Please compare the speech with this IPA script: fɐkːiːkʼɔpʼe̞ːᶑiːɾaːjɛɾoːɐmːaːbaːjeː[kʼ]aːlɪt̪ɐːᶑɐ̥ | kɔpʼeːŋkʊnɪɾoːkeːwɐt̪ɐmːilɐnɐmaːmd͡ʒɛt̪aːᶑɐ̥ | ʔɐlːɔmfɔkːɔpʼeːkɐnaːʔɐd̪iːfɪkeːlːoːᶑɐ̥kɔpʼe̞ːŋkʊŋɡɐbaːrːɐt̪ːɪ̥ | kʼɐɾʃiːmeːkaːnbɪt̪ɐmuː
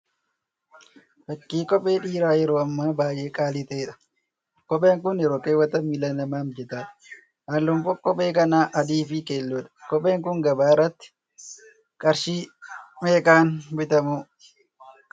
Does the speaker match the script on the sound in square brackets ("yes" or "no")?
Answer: yes